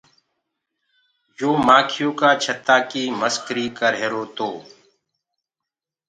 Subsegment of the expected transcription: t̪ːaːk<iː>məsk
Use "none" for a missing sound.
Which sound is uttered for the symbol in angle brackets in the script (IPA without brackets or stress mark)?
iː